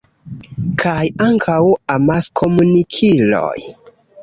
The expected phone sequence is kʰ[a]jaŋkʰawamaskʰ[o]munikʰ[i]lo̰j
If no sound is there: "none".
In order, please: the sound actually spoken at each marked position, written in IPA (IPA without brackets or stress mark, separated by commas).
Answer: a, o, i